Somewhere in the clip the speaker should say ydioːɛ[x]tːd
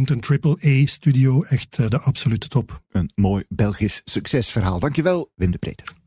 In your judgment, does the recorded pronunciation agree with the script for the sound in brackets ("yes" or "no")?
yes